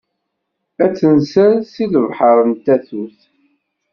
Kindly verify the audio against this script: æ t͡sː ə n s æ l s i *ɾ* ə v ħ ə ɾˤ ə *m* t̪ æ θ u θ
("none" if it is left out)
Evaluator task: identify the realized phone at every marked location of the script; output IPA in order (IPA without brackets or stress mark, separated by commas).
l, n